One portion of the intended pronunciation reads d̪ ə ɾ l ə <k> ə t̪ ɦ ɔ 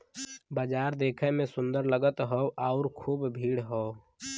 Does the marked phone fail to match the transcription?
yes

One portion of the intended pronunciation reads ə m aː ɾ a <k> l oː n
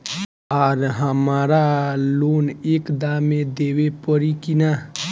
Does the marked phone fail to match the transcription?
yes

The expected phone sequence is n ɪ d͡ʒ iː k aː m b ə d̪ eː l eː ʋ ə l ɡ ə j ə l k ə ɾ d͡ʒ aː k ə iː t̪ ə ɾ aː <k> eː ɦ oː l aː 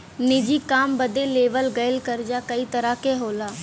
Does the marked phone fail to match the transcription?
no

